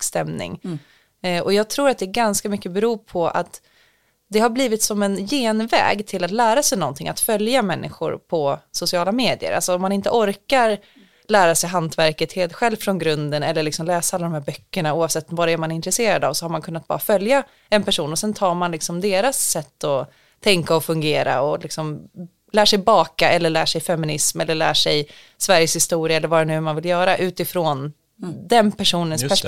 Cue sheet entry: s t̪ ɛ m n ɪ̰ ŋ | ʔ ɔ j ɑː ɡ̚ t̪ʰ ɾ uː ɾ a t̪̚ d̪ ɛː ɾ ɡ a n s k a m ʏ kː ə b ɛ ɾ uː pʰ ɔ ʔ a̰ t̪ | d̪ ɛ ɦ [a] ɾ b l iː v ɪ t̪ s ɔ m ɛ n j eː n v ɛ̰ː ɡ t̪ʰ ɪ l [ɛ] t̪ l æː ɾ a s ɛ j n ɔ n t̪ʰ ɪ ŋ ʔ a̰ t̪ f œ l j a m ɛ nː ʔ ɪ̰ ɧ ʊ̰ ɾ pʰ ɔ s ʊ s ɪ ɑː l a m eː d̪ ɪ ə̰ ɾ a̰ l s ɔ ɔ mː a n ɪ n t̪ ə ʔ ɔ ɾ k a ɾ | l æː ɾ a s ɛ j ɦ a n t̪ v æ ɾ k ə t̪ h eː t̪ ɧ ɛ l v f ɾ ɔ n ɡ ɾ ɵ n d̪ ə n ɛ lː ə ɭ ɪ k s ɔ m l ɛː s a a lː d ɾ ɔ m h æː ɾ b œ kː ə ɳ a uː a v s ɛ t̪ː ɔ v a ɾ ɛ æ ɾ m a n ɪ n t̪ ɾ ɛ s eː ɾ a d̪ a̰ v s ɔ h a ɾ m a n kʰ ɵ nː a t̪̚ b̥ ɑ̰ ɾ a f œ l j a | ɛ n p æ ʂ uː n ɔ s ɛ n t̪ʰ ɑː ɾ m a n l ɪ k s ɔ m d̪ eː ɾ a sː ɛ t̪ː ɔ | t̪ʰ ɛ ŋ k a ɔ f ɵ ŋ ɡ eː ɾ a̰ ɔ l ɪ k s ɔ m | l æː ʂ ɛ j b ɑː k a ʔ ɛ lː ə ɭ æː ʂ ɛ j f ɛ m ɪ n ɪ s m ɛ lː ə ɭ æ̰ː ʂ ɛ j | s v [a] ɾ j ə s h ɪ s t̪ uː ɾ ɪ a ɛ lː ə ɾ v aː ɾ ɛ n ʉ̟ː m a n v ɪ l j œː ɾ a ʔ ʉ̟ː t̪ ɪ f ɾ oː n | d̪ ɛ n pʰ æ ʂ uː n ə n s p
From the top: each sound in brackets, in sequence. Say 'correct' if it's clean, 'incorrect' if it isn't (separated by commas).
correct, incorrect, incorrect